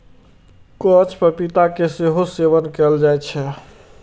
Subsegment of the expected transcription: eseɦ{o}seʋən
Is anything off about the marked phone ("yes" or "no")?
no